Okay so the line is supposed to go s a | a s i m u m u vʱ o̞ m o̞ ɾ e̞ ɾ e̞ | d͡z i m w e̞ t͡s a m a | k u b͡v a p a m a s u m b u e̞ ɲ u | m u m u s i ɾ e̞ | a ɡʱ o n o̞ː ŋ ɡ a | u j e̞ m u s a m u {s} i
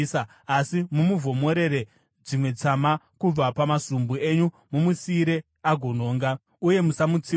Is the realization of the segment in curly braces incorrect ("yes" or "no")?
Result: yes